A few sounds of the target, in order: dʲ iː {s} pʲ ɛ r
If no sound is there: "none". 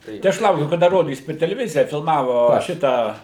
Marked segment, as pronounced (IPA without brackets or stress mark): s